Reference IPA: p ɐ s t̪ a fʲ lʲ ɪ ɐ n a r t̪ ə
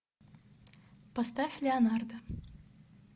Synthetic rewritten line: p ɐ s t̪ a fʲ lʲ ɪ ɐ n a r d̪ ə